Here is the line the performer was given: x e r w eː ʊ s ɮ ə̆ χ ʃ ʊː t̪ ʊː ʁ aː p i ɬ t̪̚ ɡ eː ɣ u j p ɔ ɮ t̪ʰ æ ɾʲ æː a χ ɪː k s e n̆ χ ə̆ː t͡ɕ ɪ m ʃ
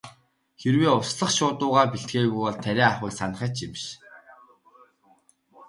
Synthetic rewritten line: x e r w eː ʊ s ɮ ə̆ χ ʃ ʊː t̪ ʊː ʁ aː p i ɬ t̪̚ ɡ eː ɣ u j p ɔ ɮ t̪ʰ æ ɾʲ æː a χ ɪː k s a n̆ χ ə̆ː t͡ɕ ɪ m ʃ